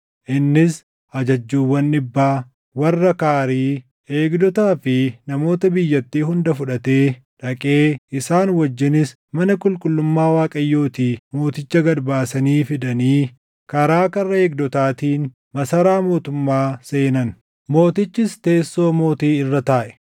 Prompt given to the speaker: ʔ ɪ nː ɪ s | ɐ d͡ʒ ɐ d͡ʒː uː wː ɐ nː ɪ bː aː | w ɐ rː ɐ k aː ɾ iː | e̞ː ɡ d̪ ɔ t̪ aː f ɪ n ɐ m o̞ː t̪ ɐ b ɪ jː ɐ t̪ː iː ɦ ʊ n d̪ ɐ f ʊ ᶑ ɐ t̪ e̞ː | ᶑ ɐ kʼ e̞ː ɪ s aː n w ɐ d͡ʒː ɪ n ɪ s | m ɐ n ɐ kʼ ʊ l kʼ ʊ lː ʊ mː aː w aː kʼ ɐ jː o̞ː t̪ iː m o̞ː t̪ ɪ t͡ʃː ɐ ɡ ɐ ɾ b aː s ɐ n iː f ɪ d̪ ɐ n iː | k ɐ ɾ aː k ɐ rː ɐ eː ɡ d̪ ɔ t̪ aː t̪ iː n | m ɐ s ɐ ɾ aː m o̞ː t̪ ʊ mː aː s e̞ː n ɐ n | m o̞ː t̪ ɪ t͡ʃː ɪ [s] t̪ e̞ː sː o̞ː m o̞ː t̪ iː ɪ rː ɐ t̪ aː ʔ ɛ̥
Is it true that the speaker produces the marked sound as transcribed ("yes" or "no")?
yes